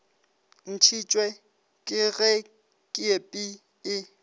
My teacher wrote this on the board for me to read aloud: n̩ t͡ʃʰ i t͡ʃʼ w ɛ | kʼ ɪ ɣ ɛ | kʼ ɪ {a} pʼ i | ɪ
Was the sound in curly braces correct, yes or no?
no